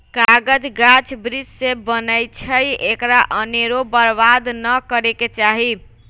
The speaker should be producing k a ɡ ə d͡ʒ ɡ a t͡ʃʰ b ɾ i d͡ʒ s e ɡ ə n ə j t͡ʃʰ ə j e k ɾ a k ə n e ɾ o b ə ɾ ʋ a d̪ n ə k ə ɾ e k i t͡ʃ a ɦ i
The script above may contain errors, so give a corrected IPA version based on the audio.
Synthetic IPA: k a ɡ ə d͡ʒ ɡ a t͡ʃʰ b ɾ i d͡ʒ s e b ə n ə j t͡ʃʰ ə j e k ɾ a ʔ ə n e ɾ o b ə ɾ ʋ a d̪ n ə k ə ɾ e k e t͡ʃ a ɦ i

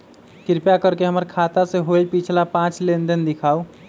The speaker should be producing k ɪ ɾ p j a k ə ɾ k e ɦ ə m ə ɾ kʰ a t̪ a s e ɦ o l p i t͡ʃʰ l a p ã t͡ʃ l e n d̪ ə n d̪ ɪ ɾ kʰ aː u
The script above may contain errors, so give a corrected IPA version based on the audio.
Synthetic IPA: k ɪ ɾ p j a k ə ɾ k e ɦ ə m ə ɾ kʰ a t̪ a s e ɦ o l p i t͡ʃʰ l a p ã t͡ʃ l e n d̪ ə n d̪ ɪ kʰ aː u

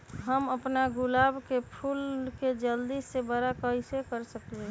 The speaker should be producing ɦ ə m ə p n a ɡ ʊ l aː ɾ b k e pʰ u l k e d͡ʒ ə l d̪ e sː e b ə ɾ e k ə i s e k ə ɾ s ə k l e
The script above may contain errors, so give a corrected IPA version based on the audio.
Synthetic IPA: ɦ ə m ə p n a ɡ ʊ l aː b k e pʰ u l k e d͡ʒ ə l d̪ i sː e b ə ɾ a k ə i s e k ə ɾ s ə k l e

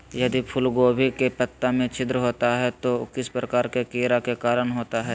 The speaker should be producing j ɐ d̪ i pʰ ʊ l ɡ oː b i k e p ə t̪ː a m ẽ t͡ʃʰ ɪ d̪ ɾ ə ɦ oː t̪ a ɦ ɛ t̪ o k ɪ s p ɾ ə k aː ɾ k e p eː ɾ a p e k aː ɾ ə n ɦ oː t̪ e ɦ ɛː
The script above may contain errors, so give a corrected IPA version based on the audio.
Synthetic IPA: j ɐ d̪ i pʰ ʊ l ɡ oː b i k e p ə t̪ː a m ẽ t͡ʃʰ ɪ d̪ ɾ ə ɦ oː t̪ a ɦ ɛ t̪ o k ɪ s p ɾ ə k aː ɾ k e k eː ɾ a k e k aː ɾ ə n ɦ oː t̪ a ɦ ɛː

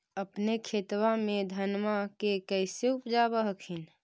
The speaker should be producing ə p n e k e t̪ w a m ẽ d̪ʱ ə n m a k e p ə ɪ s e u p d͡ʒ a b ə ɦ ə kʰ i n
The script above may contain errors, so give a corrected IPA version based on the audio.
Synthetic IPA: ə p n e kʰ e t̪ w a m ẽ d̪ʱ ə n m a k e k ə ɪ s e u p d͡ʒ a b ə ɦ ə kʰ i n

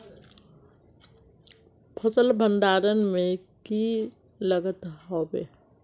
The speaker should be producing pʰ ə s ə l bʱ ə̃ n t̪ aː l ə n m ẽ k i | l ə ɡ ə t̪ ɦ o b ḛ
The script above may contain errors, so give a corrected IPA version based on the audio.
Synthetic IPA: pʰ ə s ə l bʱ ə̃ n d̪ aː ɾ ə n m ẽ k i | l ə ɡ ə t̪ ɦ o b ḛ

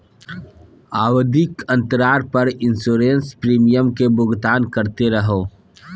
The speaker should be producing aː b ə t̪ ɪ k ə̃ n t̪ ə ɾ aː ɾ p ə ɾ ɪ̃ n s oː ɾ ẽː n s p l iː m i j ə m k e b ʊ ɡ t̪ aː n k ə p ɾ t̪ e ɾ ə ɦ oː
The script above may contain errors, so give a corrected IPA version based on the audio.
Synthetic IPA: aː w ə d̪ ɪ k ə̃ n t̪ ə ɾ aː ɾ p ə ɾ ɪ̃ n s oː ɾ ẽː n s p ɾ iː m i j ə m k e b ʊ ɡ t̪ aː n k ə ɾ t̪ e ɾ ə ɦ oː

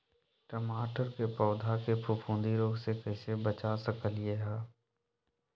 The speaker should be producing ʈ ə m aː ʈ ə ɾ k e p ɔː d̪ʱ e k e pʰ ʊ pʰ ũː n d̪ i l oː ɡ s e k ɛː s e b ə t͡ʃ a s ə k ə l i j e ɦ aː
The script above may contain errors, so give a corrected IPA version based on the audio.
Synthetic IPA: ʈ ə m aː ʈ ə ɾ k e p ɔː d̪ʱ a k e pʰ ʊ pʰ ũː n d̪ i ɾ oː ɡ s e k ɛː s e b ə t͡ʃ a s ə k ə l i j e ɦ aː

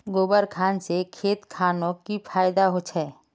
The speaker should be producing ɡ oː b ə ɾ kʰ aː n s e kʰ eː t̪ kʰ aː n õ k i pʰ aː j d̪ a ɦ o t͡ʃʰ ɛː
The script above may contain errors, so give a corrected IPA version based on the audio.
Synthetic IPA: ɡ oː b ə ɾ kʰ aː n s e kʰ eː t̪ kʰ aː n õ k i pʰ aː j d̪ a ɦ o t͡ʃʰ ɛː

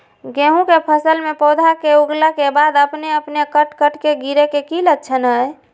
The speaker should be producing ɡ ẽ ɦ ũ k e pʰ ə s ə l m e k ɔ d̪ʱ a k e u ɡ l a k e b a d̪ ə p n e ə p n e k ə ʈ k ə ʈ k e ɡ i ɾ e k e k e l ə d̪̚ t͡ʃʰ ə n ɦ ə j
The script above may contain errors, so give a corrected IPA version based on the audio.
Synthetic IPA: ɡ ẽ ɦ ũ k e pʰ ə s ə l m e p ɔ d̪ʱ a k e u ɡ l a k e b a d̪ ə p n e ə p n e k ə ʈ k ə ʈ k e ɡ i ɾ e k e k i l ə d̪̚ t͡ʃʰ ə n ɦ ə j

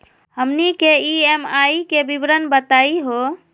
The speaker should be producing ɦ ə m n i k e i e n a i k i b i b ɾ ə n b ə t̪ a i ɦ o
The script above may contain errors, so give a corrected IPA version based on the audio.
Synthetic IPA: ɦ ə m n i k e i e m a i k e b i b ɾ ə n b ə t̪ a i ɦ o

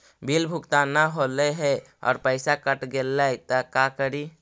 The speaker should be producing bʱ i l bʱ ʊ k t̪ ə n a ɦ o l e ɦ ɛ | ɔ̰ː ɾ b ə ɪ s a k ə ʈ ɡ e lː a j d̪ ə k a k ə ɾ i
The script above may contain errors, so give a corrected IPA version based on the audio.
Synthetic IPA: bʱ i l bʱ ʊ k t̪ a n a ɦ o l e ɦ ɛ | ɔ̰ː ɾ p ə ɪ s a k ə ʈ ɡ e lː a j t̪ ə k a k ə ɾ i

